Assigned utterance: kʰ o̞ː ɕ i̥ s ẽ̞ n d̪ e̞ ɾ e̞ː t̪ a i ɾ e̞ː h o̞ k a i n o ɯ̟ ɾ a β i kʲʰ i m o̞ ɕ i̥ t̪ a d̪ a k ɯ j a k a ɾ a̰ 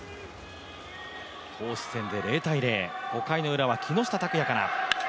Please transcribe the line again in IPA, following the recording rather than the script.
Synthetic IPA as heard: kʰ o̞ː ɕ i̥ s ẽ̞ n d̪ e̞ ɾ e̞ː t̪ a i ɾ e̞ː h o̞ k a i n o ɯ̟ ɾ a β a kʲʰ i n o̞ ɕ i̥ t̪ a t̪ a k ɯ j a k a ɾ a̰